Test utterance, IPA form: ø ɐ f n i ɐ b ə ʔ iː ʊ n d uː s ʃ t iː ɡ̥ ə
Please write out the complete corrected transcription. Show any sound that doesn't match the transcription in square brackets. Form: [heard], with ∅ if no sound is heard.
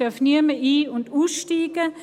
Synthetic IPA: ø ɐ f n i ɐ [m] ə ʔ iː ʊ n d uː s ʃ t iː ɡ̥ ə